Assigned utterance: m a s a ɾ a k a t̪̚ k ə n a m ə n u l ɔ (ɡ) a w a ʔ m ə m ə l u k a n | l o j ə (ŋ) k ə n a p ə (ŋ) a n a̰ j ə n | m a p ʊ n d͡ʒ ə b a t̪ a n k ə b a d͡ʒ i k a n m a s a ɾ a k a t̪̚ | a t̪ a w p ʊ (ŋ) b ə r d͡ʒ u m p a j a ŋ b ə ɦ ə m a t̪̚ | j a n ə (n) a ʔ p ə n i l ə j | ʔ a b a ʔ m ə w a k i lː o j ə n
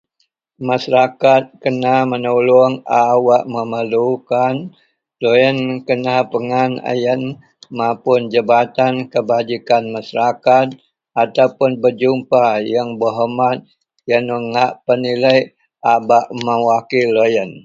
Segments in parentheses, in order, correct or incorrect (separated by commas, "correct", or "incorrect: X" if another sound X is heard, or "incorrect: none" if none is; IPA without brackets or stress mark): incorrect: ŋ, incorrect: n, correct, incorrect: n, incorrect: ŋ